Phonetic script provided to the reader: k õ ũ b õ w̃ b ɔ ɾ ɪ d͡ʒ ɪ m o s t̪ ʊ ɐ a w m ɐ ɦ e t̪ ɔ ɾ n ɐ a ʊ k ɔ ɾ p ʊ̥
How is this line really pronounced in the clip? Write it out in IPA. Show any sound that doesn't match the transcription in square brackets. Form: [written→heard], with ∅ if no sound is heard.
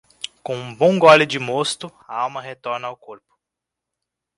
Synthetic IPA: k õ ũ b õ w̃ [b→ɡ] ɔ [ɾ→l] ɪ d͡ʒ ɪ m o s t̪ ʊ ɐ a w m ɐ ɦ e t̪ ɔ ɾ n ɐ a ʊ k [ɔ→o] ɾ p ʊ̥